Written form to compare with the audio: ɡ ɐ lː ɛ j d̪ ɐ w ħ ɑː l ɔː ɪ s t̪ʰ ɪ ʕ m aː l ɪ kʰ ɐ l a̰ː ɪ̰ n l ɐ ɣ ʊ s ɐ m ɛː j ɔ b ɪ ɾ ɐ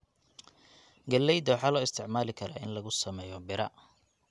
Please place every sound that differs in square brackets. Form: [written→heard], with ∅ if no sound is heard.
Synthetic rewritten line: ɡ ɐ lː ɛ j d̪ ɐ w ħ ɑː l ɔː ɪ s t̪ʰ ɪ ʕ m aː l ɪ kʰ ɐ [l→ɾ] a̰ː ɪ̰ n l ɐ ɣ ʊ s ɐ m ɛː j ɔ b ɪ ɾ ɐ